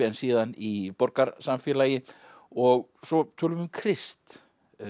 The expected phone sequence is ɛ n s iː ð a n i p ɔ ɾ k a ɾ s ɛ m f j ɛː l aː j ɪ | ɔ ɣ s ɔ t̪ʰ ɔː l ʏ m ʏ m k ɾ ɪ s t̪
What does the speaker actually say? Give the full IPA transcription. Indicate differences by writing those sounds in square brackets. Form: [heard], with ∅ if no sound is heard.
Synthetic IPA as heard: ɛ n s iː ð a n i p ɔ ɾ k a ɾ s [a] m f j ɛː l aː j ɪ | ɔ ɣ s ɔ t̪ʰ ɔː l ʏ m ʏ m [kʰ] ɾ ɪ s t̪